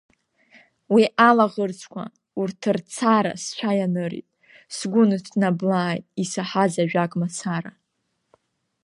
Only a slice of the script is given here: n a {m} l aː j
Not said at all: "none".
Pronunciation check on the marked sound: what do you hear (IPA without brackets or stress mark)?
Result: b